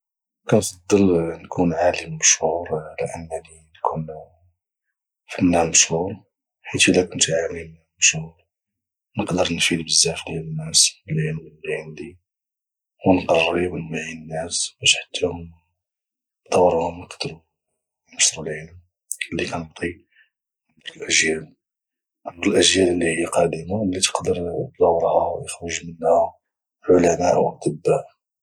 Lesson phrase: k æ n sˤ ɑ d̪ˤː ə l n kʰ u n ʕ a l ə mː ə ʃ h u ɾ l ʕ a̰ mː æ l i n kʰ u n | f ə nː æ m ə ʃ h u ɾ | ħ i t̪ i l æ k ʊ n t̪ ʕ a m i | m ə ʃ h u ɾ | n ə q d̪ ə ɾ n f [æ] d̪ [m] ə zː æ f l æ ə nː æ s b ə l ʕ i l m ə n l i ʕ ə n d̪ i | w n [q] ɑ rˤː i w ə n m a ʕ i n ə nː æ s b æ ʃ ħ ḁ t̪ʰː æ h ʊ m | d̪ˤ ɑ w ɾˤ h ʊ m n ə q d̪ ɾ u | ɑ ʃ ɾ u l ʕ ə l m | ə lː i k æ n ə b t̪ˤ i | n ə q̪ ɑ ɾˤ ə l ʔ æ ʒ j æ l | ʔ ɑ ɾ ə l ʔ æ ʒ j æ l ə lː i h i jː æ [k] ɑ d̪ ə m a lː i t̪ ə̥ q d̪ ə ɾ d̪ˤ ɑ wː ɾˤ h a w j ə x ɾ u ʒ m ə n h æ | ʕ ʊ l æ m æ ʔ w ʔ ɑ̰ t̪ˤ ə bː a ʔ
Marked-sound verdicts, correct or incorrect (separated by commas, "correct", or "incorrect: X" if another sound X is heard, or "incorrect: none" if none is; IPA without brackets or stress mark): incorrect: i, incorrect: b, correct, incorrect: q